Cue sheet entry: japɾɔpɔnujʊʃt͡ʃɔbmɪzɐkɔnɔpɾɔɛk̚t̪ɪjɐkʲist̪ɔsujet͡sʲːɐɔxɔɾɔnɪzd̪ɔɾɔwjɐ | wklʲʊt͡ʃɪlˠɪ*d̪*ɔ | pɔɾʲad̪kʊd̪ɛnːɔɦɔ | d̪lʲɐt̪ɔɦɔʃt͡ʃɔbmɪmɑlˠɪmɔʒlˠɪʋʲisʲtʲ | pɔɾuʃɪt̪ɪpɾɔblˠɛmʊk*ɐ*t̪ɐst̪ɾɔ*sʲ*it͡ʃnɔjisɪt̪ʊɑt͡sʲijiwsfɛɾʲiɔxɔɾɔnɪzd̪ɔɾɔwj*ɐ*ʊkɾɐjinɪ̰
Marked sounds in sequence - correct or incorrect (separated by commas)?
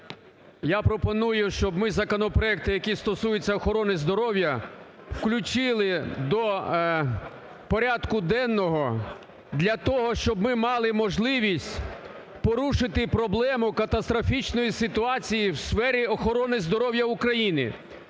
correct, correct, incorrect, correct